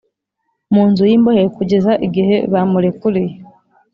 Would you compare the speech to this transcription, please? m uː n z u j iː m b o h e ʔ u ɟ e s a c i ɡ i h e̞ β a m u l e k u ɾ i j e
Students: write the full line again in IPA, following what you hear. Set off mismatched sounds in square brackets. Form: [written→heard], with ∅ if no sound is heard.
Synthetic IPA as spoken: m uː n z u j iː m b o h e [ʔ→k] u ɟ e [s→z] a [c→ʔ] i ɡ i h e̞ β a m u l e k u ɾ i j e